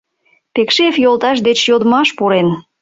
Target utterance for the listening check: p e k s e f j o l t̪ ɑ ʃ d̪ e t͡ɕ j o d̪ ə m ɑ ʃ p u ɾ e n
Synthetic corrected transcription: p e k ʃ e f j o l t̪ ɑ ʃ d̪ e t͡ɕ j o d̪ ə m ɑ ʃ p u ɾ e n